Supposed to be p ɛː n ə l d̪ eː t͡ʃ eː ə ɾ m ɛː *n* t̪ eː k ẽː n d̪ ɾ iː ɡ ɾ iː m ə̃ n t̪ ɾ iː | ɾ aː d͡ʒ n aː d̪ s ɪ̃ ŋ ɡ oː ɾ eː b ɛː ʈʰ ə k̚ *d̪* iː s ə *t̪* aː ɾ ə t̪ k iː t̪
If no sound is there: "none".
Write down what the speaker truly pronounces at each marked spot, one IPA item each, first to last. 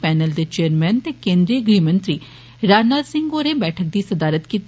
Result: n, d̪, d̪

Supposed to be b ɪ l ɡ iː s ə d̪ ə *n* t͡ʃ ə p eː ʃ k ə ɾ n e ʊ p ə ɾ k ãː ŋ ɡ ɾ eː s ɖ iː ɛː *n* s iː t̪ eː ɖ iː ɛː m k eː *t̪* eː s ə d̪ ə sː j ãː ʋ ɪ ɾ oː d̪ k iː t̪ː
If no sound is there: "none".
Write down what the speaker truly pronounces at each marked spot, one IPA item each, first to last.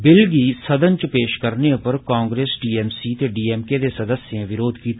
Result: n, m, d̪

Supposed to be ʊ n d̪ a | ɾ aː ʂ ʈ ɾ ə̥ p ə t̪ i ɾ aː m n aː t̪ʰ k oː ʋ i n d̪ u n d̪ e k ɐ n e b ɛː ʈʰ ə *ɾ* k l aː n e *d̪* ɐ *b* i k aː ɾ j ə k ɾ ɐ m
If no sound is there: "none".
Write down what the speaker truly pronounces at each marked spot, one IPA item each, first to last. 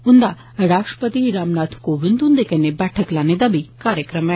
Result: none, d̪, b

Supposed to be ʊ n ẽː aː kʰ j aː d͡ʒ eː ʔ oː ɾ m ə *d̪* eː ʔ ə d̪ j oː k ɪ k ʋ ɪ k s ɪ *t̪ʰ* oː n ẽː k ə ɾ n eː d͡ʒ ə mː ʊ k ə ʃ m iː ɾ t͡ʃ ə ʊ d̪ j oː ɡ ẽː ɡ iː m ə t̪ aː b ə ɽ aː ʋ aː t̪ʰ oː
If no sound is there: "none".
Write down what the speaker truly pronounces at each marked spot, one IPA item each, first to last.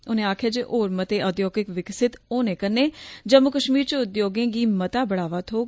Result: t̪, t̪

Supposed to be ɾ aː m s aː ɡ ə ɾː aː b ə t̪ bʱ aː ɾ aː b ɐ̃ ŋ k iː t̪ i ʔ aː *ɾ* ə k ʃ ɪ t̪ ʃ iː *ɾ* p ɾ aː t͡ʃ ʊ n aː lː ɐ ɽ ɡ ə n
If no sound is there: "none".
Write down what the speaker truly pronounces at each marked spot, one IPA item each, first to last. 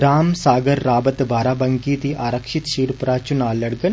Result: ɾ, ɾ

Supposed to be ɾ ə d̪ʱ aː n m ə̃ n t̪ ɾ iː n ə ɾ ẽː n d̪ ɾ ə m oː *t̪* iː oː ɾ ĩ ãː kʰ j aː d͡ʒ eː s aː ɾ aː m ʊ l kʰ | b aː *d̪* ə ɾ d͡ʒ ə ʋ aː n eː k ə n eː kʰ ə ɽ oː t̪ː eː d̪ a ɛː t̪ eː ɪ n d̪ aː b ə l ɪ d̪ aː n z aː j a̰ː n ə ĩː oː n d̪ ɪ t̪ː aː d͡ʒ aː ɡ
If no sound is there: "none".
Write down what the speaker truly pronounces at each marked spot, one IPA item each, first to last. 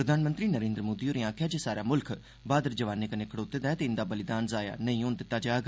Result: d̪, d̪

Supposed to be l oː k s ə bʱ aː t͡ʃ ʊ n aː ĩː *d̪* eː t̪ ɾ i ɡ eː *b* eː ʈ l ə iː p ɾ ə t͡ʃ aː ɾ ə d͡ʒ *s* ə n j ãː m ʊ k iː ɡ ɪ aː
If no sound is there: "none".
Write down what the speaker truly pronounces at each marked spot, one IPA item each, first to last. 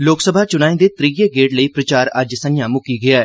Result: d̪, ɡ, s

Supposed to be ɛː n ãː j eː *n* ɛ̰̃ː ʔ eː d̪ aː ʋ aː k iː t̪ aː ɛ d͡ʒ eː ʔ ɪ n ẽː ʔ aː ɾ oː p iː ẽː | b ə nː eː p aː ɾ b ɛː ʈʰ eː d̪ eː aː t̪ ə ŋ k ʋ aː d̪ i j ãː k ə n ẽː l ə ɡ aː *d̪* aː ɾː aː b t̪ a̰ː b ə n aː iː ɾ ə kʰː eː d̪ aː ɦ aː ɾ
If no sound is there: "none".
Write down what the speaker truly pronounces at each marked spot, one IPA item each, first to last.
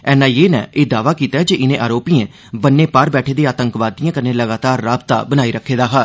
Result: n, t̪

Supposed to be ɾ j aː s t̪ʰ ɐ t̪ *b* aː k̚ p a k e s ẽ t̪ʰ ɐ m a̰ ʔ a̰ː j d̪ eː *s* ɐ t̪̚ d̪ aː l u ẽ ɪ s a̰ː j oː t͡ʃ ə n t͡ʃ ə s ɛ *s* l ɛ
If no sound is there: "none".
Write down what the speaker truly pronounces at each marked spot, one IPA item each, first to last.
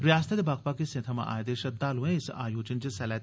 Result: b, ʃ, none

